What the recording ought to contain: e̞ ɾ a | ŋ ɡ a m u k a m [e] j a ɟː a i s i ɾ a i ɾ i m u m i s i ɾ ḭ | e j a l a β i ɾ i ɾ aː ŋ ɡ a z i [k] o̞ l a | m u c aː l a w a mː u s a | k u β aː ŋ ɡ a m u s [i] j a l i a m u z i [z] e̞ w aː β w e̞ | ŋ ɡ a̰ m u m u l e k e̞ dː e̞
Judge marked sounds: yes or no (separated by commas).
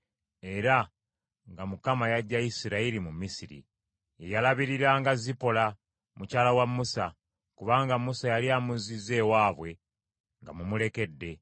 no, no, no, yes